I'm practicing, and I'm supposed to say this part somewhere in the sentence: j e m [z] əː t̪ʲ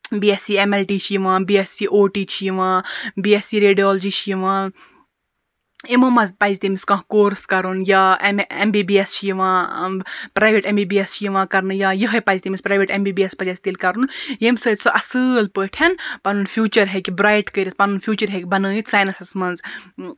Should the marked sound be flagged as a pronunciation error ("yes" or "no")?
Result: yes